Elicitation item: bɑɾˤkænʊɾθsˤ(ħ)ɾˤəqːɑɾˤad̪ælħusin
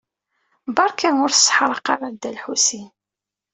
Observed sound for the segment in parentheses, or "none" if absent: ħ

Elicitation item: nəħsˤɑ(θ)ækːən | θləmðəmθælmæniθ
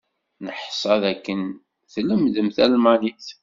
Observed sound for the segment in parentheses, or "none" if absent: ð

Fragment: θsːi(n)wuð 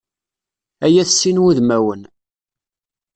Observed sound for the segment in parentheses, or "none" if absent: n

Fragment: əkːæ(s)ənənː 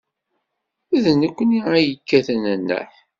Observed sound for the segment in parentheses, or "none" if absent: θ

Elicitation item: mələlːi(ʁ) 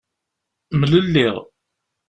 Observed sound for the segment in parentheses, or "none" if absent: ʁ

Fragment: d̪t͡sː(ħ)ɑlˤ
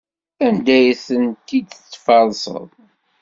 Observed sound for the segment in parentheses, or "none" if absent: f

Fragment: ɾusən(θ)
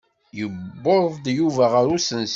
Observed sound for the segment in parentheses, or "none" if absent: s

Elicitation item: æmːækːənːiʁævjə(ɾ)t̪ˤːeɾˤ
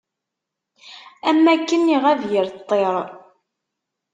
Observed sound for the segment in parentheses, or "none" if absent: ɾ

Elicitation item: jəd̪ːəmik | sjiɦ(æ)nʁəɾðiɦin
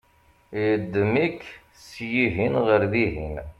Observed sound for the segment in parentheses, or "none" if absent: i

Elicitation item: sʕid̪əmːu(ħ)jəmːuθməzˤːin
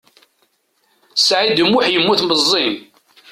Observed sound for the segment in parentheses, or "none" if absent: ħ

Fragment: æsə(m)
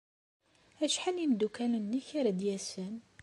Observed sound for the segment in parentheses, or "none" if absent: n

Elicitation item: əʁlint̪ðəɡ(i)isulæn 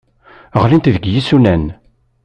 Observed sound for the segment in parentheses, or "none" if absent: j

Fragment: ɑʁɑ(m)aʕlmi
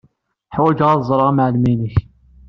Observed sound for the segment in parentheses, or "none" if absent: m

